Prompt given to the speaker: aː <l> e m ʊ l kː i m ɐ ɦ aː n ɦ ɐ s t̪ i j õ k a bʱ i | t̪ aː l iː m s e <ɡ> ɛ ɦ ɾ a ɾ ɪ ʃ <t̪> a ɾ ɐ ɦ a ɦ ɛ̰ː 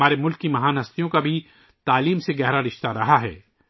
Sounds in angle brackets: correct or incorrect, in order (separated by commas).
incorrect, correct, correct